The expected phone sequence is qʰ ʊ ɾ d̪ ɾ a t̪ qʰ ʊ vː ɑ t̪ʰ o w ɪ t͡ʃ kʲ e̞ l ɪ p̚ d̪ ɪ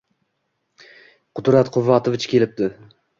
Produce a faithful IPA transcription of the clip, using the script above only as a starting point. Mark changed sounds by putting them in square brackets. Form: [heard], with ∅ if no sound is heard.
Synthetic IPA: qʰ ʊ [∅] d̪ ɾ a t̪ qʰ ʊ vː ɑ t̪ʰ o [v] ɪ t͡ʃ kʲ e̞ l ɪ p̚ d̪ ɪ